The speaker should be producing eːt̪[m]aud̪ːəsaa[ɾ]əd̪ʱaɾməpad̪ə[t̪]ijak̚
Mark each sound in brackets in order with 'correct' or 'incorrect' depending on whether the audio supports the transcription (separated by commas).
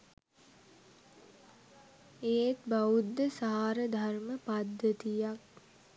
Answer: incorrect, correct, correct